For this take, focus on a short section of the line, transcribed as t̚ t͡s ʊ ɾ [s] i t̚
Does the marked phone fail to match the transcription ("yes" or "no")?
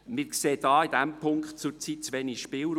yes